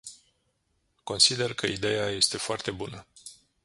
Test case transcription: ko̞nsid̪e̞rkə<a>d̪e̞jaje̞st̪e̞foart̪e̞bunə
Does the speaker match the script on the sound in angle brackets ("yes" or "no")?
no